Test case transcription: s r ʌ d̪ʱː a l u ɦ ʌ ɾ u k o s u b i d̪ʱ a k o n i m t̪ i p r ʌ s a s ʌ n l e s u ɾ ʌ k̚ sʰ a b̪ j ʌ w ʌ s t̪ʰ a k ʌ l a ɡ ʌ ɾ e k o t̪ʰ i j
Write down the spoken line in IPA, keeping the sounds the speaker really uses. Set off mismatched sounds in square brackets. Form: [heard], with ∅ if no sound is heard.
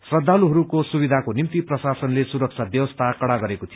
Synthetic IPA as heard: s r ʌ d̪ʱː a l u ɦ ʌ ɾ u k o s u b i d̪ʱ a k o n i m t̪ i p r ʌ s a s ʌ n l e s u ɾ ʌ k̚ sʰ a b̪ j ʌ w ʌ s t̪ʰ a k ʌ [ɽ] a ɡ ʌ ɾ e k o t̪ʰ i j